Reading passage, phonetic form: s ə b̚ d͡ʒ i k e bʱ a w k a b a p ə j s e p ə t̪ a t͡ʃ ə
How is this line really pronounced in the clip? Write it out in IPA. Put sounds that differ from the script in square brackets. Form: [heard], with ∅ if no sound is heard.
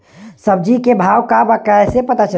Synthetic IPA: s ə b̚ d͡ʒ i k e bʱ a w k a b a [k] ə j s e p ə t̪ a t͡ʃ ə